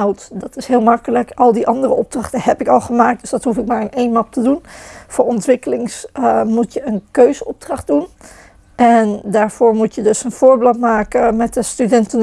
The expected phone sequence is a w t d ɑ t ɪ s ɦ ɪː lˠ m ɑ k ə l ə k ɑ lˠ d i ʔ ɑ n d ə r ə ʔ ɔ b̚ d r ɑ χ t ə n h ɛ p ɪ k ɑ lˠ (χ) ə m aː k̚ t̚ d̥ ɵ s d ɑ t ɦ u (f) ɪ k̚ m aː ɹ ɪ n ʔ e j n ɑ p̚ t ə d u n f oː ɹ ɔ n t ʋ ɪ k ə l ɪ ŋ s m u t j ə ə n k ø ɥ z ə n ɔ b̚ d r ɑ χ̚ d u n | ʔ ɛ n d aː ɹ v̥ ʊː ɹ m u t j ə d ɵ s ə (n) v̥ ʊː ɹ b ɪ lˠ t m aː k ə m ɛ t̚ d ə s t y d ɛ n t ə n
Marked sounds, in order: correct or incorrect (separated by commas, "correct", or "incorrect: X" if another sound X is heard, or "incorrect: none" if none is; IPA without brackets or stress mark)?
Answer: correct, correct, correct